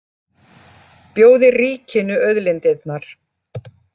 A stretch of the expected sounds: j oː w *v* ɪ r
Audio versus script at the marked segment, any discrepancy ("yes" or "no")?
yes